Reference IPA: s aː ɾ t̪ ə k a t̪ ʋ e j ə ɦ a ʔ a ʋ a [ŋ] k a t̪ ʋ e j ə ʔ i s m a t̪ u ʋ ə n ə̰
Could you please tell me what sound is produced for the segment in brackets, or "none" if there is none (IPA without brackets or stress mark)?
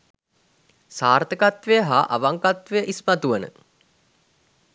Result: ŋ